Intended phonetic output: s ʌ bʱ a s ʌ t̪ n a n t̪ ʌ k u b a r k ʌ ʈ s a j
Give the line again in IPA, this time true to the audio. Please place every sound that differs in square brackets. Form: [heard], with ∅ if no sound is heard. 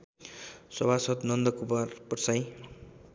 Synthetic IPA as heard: s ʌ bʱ a s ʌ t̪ n [ʌ] n [d̪] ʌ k u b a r [p] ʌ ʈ s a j